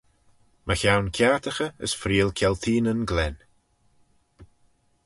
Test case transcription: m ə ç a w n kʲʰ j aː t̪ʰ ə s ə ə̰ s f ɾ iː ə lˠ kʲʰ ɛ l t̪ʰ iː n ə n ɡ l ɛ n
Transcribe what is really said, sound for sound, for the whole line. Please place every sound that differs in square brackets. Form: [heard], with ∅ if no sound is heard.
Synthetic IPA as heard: m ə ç a w n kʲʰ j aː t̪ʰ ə [x] ə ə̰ s f ɾ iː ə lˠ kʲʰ ɛ l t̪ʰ iː n ə n ɡ l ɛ n